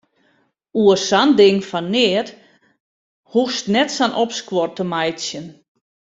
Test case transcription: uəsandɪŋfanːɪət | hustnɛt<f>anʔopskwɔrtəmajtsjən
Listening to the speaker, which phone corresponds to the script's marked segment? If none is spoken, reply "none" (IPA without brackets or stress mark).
s